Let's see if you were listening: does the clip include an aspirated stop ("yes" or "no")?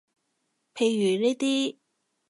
yes